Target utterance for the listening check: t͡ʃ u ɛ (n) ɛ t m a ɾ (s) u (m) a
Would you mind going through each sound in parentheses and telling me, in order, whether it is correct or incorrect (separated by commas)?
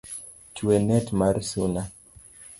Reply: correct, correct, incorrect